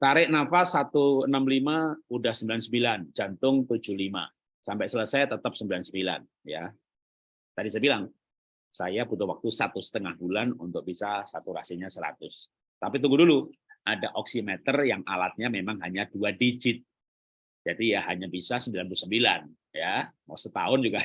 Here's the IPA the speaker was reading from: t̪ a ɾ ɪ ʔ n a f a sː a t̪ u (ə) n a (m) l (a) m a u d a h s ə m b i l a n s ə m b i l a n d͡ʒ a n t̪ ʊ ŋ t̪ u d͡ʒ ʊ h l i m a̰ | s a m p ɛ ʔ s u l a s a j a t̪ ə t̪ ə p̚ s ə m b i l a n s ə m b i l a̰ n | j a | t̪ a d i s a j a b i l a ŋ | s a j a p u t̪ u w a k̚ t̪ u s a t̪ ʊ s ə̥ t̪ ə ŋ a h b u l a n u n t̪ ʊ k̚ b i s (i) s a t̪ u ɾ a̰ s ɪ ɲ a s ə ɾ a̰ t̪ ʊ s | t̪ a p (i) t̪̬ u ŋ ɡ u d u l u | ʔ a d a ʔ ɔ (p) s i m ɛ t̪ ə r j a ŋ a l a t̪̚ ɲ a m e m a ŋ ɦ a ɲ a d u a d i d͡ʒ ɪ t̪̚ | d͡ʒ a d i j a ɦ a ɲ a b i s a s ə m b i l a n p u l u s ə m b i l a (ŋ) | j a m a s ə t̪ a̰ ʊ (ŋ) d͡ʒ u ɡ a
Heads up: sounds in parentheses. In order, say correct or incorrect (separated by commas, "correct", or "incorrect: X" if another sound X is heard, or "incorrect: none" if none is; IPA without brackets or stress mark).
correct, correct, incorrect: i, incorrect: a, correct, incorrect: k, incorrect: n, incorrect: n